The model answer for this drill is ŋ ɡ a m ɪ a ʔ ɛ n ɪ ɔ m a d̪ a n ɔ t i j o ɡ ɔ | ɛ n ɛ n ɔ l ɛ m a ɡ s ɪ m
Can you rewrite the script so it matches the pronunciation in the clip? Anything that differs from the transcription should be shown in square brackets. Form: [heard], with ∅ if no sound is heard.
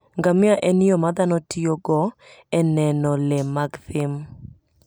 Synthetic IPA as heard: ŋ ɡ a m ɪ a ʔ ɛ n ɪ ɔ m a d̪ a n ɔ t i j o ɡ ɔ | ɛ n ɛ n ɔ l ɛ m a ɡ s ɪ m